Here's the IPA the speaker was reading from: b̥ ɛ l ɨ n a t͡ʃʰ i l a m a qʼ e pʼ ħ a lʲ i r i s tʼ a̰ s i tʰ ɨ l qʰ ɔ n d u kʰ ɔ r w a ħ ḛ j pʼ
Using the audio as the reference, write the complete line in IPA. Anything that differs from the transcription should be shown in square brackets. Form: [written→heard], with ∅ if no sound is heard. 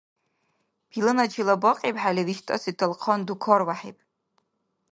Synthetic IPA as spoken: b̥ [ɛ→i] l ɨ n a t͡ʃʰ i l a [m→b] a qʼ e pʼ ħ a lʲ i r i [s→ʃ] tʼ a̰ s i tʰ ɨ l qʰ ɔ n d u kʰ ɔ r w a ħ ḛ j pʼ

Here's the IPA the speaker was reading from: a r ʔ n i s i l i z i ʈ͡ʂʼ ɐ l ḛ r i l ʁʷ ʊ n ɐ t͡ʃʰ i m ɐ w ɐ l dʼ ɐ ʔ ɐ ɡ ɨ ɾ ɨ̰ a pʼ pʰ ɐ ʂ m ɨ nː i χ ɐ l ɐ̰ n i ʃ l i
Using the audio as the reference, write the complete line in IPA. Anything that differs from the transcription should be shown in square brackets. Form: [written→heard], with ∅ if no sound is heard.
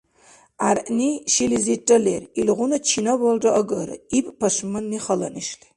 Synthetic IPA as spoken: a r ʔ n i [s→ʃ] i l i z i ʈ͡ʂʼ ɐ l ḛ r i l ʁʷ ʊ n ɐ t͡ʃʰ i [m→n] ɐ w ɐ l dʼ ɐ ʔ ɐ ɡ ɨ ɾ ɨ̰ [a→i] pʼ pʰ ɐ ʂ m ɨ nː i χ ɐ l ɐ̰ n i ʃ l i

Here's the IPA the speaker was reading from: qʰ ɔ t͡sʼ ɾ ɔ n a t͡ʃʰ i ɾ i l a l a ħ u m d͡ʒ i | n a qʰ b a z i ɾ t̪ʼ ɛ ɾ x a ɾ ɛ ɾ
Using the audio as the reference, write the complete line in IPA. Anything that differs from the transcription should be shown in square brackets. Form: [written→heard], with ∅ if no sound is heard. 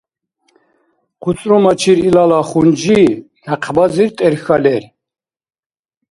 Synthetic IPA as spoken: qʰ [ɔ→u] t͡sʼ ɾ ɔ [n→m] a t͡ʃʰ i ɾ i l a l a [ħ→χ] u [m→n] d͡ʒ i | n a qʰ b a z i ɾ t̪ʼ ɛ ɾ x a [ɾ→l] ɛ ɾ

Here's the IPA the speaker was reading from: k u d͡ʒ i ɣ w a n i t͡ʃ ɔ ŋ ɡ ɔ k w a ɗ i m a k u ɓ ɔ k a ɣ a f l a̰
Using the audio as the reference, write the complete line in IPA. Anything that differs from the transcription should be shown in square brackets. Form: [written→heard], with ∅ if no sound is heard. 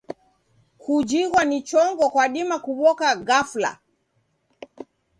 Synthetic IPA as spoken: k u d͡ʒ i ɣ w a n i t͡ʃ ɔ ŋ ɡ ɔ k w a ɗ i m a k u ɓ ɔ k a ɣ a f l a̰

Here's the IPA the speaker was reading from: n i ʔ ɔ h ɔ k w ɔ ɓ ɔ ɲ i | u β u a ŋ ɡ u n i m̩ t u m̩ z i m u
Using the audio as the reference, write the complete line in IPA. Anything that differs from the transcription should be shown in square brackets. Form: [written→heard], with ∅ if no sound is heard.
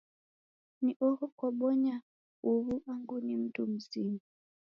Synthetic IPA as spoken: n i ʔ ɔ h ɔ k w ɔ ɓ ɔ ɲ [i→a] | u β u a ŋ ɡ u n i m̩ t u m̩ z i m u

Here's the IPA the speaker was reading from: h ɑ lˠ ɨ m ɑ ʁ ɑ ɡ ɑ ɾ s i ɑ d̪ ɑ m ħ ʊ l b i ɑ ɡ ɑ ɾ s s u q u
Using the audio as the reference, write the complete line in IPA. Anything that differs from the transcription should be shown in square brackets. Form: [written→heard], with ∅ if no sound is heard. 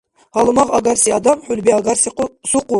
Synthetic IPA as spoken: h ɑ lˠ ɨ m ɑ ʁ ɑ ɡ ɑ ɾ s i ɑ d̪ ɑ m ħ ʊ l b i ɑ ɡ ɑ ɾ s s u q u

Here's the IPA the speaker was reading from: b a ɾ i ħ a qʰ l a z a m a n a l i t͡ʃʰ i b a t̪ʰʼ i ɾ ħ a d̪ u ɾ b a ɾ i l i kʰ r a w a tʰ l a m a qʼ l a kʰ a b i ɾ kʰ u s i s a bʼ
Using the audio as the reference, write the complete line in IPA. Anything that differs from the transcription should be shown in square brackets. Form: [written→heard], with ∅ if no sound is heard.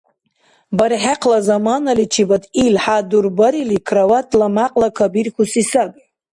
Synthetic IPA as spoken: b a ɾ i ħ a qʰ l a z a m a n a l i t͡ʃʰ i b a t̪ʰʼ i [ɾ→l] ħ a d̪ u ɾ b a ɾ i l i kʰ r a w a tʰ l a m a qʼ l a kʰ a b i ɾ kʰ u s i s a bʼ

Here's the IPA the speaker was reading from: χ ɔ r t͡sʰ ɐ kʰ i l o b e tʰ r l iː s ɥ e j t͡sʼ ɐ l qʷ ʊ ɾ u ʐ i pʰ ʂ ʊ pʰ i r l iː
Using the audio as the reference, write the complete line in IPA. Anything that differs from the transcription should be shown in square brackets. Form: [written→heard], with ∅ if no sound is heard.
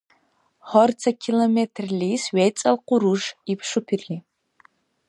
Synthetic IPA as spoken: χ ɔ r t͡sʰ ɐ kʰ i l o [b→m] e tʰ r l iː s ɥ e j t͡sʼ ɐ l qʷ ʊ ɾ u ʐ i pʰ ʂ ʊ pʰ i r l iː

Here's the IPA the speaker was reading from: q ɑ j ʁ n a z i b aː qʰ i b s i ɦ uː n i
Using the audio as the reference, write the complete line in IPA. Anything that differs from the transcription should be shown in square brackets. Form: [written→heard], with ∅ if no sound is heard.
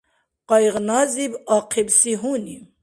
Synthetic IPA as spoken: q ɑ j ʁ n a z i b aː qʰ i b s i ɦ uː n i

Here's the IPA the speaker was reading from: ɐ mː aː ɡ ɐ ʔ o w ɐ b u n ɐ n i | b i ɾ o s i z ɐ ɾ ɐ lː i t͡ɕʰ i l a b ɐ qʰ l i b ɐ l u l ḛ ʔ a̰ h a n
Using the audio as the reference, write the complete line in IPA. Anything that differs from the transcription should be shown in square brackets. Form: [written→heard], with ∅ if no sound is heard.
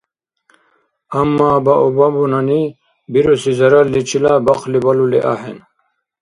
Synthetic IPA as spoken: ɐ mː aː [ɡ→b] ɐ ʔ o [w→b] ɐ b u n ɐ n i | b i ɾ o s i z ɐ ɾ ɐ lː i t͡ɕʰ i l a b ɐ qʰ l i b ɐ l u l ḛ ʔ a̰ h [a→e] n

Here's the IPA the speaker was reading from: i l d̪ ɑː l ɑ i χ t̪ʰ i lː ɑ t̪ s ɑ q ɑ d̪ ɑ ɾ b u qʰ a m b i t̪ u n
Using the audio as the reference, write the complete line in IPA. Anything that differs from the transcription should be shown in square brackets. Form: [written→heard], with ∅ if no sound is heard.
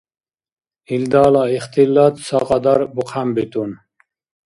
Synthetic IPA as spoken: i l d̪ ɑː l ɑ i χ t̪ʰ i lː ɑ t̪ s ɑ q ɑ d̪ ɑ ɾ b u qʰ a m b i t̪ u n

